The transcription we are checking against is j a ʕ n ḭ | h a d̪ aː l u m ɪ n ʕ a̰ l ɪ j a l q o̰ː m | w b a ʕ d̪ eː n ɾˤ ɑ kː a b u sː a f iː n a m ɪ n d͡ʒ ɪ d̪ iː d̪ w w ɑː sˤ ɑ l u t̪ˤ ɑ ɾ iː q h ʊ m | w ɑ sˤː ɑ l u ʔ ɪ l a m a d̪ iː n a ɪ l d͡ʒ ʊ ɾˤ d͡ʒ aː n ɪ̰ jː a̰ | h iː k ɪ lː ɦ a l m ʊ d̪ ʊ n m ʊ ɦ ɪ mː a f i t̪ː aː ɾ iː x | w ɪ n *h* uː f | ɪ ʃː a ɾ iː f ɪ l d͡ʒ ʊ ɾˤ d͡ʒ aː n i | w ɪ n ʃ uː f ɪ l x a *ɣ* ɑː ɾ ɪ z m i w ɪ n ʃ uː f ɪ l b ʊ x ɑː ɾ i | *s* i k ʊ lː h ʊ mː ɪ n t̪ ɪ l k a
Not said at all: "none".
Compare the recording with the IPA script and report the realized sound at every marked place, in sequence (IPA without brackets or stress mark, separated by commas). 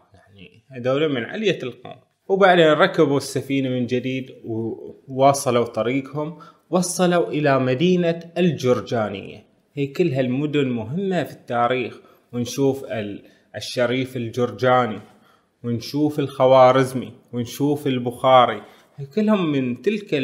ʃ, w, h